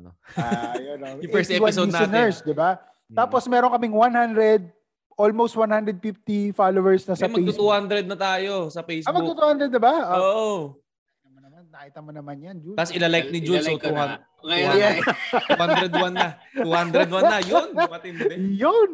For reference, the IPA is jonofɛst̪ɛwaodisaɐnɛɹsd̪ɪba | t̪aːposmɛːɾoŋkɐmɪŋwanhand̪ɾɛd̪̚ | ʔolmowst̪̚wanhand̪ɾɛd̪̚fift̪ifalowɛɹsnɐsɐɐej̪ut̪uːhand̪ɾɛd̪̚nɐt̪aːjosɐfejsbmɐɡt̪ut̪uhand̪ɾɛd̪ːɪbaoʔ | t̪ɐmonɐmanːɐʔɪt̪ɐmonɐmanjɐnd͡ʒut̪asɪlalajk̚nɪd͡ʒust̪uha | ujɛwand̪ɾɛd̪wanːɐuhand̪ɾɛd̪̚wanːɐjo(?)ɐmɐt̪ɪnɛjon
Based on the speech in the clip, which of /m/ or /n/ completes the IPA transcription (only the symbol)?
n